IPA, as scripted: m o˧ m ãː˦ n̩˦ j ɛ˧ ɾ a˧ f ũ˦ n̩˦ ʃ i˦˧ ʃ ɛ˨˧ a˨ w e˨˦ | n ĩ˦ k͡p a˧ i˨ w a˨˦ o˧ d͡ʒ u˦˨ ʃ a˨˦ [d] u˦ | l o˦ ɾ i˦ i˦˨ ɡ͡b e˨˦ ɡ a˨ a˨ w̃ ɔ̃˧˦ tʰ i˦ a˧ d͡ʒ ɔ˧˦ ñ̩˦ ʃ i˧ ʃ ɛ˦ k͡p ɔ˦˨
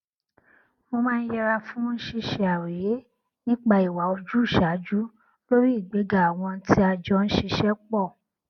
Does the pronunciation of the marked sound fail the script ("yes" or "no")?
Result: yes